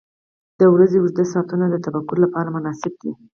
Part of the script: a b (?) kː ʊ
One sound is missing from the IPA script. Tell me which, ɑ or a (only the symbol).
a